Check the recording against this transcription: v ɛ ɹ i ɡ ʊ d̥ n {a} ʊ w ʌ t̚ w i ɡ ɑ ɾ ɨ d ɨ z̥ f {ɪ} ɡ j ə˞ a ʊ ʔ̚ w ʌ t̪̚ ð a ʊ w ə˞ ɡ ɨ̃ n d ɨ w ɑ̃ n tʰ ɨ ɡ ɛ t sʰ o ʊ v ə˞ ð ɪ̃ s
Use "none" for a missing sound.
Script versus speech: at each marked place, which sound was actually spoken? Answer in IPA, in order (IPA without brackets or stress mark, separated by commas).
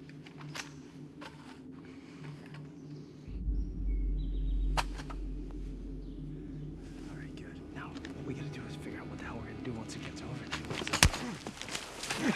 a, ɪ